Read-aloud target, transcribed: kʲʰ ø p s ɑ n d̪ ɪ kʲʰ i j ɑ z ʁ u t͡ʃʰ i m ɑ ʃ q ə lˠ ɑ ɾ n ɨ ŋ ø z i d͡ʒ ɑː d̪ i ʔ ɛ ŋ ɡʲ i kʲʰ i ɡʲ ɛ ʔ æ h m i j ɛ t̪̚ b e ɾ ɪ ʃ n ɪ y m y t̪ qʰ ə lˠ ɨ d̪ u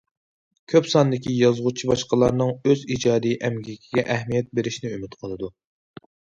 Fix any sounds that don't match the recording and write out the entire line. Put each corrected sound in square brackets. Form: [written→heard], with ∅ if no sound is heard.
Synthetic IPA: kʲʰ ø p s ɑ n d̪ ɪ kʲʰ i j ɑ z ʁ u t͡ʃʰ i [m→b] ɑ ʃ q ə lˠ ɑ ɾ n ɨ ŋ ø z i d͡ʒ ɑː d̪ i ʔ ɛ [ŋ→m] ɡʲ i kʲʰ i ɡʲ ɛ ʔ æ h m i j ɛ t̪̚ b e ɾ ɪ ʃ n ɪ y m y t̪ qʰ ə lˠ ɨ d̪ u